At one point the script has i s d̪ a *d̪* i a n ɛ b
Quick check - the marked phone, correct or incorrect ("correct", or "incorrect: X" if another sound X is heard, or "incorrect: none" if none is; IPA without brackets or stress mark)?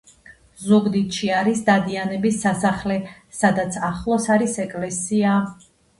correct